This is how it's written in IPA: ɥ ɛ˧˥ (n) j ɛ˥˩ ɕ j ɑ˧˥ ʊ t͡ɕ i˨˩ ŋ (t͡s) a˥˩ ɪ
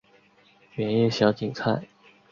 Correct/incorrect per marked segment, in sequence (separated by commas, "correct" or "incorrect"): correct, incorrect